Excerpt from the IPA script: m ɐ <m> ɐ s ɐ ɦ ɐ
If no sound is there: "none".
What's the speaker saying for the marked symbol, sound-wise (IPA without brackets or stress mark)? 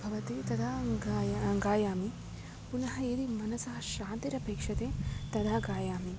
n